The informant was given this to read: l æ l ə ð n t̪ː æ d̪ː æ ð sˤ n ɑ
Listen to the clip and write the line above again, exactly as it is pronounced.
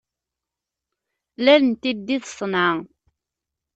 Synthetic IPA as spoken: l æ l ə n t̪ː i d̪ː i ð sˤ n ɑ